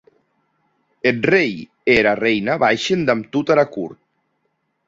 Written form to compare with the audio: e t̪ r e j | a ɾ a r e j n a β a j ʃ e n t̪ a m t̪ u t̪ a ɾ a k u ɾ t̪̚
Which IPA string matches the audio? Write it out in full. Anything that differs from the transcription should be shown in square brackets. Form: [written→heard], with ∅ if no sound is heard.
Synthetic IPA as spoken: e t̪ r e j | [a→e] ɾ a r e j n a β a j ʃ e n [t̪→d̪] a m t̪ u t̪ a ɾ a k u ɾ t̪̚